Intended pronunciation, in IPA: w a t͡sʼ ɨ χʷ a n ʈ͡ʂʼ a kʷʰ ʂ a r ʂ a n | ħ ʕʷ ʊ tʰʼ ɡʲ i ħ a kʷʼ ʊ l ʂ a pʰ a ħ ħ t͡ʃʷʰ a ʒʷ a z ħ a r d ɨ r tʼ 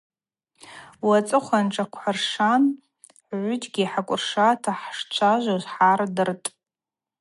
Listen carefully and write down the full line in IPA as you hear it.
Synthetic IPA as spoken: w a t͡sʼ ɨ χʷ a n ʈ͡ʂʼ a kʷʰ ħ a r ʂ a n | ħ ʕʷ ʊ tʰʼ ɡʲ i ħ a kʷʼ ʊ r ʂ a tʰ a ħ ʂ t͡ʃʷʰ a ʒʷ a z ħ a r d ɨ r tʼ